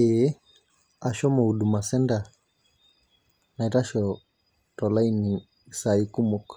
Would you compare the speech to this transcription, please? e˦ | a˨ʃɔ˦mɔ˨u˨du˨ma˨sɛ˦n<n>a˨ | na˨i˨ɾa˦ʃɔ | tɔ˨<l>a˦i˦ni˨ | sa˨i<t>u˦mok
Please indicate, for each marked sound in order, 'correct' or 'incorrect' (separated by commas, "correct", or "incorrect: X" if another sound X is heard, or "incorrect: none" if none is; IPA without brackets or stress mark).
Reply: incorrect: d, correct, incorrect: k